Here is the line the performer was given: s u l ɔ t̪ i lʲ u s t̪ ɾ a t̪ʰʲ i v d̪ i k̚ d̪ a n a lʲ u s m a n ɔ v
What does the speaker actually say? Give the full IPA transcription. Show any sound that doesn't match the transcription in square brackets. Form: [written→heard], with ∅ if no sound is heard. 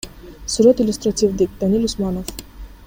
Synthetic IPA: s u [l→ɾ] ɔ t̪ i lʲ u s t̪ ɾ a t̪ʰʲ i v d̪ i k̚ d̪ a n [a→i] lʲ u s m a n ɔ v